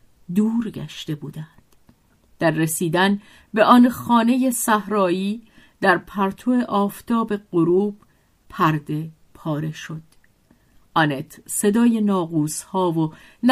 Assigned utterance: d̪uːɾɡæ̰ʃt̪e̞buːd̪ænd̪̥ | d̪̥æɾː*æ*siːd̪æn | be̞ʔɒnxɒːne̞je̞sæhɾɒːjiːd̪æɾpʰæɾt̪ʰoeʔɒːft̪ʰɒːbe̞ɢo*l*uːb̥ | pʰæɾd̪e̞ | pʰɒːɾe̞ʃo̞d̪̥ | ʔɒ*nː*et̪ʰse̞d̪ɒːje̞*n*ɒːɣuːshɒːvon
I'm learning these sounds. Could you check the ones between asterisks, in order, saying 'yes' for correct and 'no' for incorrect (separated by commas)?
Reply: no, no, no, yes